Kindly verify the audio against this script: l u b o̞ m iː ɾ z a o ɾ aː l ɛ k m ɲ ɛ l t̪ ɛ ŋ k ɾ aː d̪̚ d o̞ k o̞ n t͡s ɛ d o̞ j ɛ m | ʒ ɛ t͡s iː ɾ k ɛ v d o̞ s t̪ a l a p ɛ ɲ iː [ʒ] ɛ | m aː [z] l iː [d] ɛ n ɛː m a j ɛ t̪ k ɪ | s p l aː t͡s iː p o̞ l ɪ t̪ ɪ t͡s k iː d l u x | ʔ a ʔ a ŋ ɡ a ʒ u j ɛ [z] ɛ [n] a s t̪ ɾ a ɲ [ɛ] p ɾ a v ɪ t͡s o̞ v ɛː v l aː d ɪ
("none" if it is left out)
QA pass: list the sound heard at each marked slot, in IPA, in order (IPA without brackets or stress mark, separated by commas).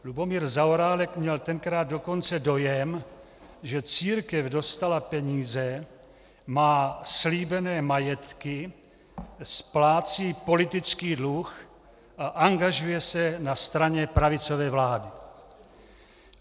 z, s, b, s, n, ɛ